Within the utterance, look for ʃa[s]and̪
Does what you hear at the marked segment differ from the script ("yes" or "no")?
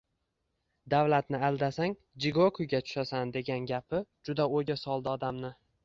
no